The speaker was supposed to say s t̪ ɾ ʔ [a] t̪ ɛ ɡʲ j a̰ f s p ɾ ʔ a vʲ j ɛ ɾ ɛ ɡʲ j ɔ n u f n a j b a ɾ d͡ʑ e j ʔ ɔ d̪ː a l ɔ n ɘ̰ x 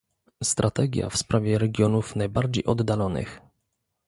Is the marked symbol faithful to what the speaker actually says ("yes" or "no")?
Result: yes